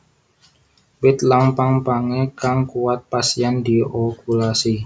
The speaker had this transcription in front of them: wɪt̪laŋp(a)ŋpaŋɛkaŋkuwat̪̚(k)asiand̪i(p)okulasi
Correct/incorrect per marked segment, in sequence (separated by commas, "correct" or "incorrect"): correct, incorrect, incorrect